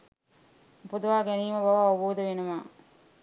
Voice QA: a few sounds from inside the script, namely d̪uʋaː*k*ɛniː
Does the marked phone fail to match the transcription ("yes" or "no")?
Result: yes